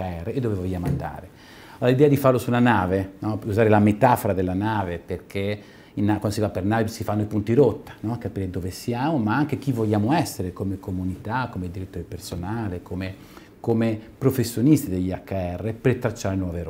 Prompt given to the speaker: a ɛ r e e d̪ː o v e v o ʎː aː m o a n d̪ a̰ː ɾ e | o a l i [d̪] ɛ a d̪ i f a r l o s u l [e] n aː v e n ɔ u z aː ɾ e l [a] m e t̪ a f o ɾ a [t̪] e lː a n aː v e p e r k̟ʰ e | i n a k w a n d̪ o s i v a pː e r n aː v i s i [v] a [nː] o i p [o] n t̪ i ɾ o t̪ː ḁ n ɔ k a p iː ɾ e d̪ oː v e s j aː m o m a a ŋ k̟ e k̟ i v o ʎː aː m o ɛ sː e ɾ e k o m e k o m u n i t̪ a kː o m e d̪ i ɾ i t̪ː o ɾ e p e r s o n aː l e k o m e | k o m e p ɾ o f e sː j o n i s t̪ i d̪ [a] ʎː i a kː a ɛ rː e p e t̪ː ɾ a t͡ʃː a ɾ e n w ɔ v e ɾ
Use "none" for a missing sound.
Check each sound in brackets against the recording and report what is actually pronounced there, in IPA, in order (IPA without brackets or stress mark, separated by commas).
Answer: d̪, a, a, d̪, f, nː, u, e